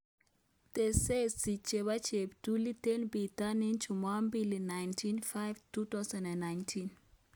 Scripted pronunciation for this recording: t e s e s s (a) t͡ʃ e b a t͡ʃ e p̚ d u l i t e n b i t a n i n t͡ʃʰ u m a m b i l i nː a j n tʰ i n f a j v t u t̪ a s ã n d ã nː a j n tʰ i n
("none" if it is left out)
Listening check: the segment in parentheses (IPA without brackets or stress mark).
i